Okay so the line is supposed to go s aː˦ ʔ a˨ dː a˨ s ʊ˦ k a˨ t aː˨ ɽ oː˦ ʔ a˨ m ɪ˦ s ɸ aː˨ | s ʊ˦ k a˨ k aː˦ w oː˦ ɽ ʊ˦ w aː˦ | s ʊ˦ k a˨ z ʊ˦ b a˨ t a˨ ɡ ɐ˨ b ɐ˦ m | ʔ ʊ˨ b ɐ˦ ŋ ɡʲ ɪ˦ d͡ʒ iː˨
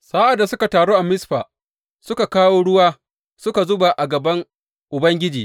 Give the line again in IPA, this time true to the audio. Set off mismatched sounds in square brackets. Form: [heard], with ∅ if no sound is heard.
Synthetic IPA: s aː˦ ʔ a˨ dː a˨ s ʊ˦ k a˨ t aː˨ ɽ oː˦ ʔ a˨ m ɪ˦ s ɸ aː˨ | s ʊ˦ k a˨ k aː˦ w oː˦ ɽ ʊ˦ w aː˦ | s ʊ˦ k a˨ z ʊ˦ b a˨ [ʔ] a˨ ɡ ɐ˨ b ɐ˦ [ŋ] | ʔ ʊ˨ b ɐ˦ ŋ ɡʲ ɪ˦ d͡ʒ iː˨